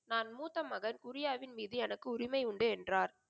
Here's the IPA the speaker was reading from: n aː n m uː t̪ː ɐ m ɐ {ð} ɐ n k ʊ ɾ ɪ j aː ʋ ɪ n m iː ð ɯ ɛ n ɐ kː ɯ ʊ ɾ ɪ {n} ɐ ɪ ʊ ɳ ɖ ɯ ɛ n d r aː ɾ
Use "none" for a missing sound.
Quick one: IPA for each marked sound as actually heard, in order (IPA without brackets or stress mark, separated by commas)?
ɣ, m